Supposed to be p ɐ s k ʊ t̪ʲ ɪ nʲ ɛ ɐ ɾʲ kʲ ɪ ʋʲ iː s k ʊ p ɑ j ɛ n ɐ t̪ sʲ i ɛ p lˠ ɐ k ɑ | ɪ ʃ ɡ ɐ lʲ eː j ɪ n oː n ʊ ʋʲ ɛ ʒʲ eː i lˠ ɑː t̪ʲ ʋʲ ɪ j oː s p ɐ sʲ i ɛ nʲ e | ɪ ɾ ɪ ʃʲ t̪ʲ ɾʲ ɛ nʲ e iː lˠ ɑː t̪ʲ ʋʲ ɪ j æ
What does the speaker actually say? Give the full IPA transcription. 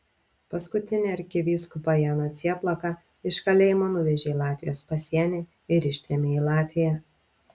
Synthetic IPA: p ɐ s k ʊ t̪ʲ ɪ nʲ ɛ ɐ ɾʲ kʲ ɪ ʋʲ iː s k ʊ p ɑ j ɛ n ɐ t̪ sʲ i ɛ p lˠ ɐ k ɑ | ɪ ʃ k ɐ lʲ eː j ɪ m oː n ʊ ʋʲ ɛ ʒʲ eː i lˠ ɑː t̪ʲ ʋʲ ɪ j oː s p ɐ sʲ i ɛ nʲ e | ɪ ɾ ɪ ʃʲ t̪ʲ ɾʲ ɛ mʲ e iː lˠ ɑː t̪ʲ ʋʲ ɪ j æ